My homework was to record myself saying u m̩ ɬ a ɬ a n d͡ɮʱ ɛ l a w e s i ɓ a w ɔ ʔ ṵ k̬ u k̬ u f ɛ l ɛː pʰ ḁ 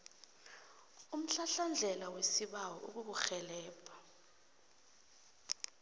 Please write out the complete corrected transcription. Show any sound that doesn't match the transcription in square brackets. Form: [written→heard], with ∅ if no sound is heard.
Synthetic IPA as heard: u m̩ ɬ a ɬ a n d͡ɮʱ ɛ l a w e s i ɓ a w ɔ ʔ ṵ k̬ u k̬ u [f→x] ɛ l ɛː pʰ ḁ